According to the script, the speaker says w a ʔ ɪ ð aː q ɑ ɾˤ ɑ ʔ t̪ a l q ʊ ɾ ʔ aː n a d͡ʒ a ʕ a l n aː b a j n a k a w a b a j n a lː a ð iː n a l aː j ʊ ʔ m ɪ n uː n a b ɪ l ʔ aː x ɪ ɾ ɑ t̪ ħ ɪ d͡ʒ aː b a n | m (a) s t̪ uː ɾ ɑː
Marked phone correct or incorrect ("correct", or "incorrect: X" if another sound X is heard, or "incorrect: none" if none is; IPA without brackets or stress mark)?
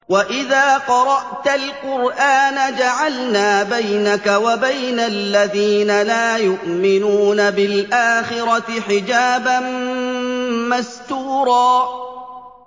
correct